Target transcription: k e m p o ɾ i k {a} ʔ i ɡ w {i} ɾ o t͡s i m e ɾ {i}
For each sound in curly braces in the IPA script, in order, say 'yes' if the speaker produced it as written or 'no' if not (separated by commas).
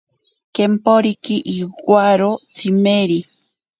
no, no, yes